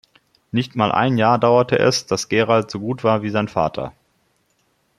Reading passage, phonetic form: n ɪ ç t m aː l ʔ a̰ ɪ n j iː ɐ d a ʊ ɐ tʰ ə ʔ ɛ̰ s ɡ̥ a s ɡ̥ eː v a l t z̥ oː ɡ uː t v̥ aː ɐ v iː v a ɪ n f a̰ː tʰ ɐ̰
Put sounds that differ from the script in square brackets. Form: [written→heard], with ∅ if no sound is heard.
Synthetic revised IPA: n ɪ ç t m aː l ʔ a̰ ɪ n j [iː→aː] ɐ d a ʊ ɐ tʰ ə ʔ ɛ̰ s [ɡ̥→d̥] a s ɡ̥ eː [v→ʁ] a l t z̥ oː ɡ uː t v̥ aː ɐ v iː [v→z] a ɪ n f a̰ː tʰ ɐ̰